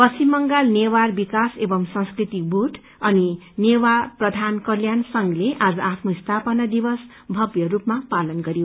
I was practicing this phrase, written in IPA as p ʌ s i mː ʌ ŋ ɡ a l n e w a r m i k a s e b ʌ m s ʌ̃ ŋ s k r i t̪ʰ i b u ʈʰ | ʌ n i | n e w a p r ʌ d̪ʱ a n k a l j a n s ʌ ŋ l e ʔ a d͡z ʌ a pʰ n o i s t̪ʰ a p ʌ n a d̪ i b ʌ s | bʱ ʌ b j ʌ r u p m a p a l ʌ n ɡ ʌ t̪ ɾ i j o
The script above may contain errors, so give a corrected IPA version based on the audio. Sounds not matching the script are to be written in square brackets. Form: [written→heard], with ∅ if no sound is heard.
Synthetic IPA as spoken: p ʌ s i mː ʌ ŋ ɡ a l n e w a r [m→b] i k a s e b ʌ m s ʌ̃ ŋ s k r i [t̪ʰ→t̪] i b u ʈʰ | ʌ n i | n e w a p r ʌ d̪ʱ a n k [a→ʌ] l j a n s ʌ ŋ l e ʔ a d͡z ʌ a pʰ n o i s t̪ʰ a p ʌ n a d̪ i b ʌ s | bʱ ʌ b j ʌ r u p m a p a l ʌ n ɡ ʌ [t̪→∅] ɾ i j o